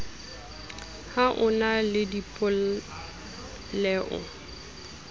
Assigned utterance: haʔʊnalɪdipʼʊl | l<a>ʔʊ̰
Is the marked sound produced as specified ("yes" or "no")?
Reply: no